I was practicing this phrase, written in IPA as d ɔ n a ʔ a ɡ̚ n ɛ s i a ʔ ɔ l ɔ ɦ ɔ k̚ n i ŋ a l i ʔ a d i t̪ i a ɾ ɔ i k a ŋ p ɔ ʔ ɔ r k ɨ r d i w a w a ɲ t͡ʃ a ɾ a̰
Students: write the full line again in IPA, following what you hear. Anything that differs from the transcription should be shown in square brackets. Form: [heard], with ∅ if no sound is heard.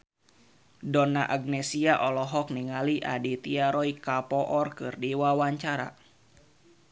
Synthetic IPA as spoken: d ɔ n a ʔ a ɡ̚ n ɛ s i a ʔ ɔ l ɔ ɦ ɔ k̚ n i ŋ a l i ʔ a d i t̪ i a ɾ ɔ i k a [∅] p ɔ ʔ ɔ r k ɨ r d i w a w a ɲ t͡ʃ a ɾ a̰